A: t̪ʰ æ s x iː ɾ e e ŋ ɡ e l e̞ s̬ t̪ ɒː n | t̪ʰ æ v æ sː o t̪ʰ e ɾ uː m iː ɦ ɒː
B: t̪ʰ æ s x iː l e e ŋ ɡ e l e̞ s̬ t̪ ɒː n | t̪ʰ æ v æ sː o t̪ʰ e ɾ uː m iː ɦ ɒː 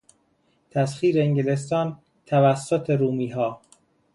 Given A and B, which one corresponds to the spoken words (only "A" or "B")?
A